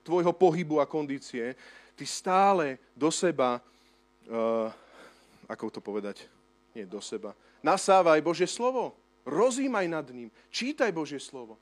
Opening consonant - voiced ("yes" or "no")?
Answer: no